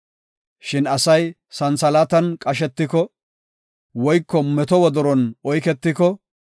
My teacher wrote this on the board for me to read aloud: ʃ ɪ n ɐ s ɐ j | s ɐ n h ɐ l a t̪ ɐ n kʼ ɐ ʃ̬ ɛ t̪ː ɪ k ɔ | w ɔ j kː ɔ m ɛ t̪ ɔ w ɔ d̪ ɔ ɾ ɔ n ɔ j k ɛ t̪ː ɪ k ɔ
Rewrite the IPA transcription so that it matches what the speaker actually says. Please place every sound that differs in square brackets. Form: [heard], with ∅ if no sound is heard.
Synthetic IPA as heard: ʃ ɪ n ɐ s ɐ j | s ɐ n [s] ɐ l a t̪ ɐ n kʼ ɐ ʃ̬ ɛ t̪ː ɪ k ɔ | w ɔ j kː ɔ m ɛ t̪ ɔ w ɔ d̪ ɔ ɾ ɔ n ɔ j k ɛ t̪ː ɪ k ɔ